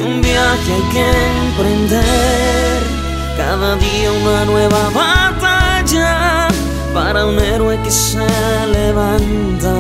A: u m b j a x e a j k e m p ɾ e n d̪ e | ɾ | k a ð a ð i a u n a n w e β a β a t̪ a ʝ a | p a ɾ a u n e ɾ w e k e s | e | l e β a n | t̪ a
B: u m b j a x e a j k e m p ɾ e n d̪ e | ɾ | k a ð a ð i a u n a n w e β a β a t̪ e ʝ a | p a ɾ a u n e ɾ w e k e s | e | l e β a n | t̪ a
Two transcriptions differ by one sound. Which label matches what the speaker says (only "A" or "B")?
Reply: A